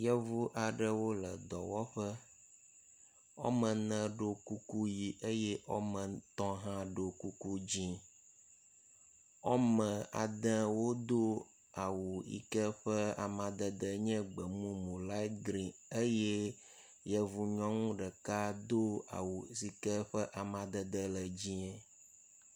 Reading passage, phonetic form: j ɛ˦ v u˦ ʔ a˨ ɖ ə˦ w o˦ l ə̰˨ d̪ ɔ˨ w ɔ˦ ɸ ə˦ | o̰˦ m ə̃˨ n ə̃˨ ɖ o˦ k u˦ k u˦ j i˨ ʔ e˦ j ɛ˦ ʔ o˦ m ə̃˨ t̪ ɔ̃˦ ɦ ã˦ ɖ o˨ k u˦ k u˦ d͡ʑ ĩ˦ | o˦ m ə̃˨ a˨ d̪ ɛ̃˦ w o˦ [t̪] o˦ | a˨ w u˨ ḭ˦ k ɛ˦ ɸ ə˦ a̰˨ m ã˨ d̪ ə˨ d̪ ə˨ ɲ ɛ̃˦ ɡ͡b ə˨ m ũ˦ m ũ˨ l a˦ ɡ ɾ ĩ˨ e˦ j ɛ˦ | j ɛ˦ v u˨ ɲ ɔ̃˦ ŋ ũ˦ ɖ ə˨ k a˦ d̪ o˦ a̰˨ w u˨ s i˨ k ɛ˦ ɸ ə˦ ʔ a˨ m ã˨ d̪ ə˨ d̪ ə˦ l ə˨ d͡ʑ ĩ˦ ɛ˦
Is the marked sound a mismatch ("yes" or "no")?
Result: yes